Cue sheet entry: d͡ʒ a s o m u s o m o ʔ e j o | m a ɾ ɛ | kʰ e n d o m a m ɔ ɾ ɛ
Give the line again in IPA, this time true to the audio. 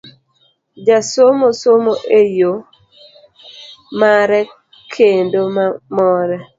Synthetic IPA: d͡ʒ a s o m o s o m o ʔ e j o | m a ɾ ɛ | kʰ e n d o m a m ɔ ɾ ɛ